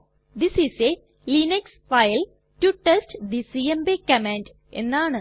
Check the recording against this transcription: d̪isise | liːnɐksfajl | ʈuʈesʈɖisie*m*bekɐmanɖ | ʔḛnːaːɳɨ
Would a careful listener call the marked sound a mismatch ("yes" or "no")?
no